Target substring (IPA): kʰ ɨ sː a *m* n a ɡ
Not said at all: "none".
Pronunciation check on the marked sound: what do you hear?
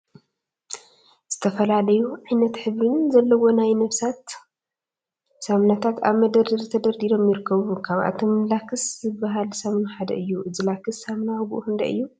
m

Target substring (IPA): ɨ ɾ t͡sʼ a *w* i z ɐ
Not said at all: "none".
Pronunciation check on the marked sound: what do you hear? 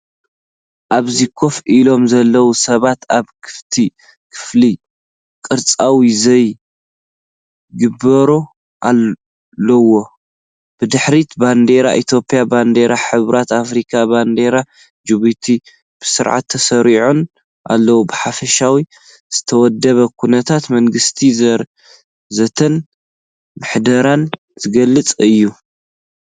w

